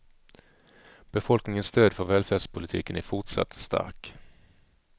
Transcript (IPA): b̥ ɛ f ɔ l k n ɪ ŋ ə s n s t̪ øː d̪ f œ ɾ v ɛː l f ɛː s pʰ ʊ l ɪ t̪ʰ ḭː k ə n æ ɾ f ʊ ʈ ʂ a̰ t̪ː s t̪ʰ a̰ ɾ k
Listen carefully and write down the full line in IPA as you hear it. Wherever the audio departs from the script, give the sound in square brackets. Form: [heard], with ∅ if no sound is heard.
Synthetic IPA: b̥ ɛ f ɔ l k n ɪ ŋ ə [∅] n s t̪ øː d̪ f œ ɾ v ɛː l f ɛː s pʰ ʊ l ɪ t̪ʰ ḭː k ə n æ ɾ f ʊ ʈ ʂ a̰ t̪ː s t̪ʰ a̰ ɾ k